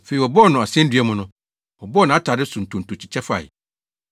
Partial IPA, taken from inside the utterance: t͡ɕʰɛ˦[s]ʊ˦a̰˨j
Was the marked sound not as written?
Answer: yes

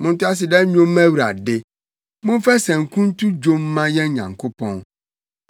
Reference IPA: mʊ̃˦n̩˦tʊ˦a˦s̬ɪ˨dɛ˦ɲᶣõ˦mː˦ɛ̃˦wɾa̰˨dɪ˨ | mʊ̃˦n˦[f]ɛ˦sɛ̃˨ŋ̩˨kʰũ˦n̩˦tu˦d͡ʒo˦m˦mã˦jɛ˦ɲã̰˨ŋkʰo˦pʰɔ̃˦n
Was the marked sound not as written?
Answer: no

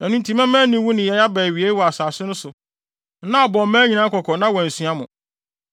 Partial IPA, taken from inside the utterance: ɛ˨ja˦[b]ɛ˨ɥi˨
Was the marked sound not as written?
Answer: no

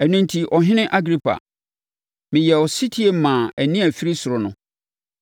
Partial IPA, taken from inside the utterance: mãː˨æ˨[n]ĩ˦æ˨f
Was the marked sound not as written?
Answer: no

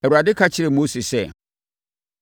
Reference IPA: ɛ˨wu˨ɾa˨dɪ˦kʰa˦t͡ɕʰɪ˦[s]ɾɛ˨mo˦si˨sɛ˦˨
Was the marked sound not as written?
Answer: yes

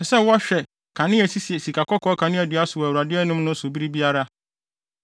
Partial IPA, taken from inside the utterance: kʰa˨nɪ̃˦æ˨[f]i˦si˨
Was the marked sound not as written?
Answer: yes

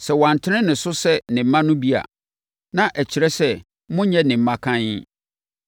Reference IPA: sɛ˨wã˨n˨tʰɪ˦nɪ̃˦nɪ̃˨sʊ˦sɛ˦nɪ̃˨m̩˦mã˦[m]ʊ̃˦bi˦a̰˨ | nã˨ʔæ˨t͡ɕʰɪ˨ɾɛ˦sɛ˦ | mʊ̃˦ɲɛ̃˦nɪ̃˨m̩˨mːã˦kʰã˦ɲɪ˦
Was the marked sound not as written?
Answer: yes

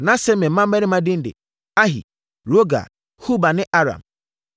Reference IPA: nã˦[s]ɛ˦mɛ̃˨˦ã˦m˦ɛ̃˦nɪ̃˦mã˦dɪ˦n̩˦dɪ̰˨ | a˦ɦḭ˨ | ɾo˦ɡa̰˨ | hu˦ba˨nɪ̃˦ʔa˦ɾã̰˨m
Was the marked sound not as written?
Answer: no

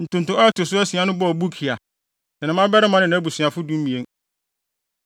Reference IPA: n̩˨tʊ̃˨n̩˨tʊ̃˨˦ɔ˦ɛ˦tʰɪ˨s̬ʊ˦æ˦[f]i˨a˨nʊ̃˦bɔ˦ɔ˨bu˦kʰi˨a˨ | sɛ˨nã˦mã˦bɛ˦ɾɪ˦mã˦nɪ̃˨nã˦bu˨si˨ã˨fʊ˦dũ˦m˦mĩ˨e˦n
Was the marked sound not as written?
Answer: yes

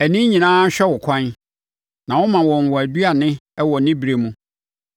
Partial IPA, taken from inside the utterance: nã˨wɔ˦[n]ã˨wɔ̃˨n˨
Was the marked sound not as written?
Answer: yes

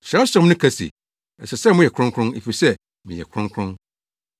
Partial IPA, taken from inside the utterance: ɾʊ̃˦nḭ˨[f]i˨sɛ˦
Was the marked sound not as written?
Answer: no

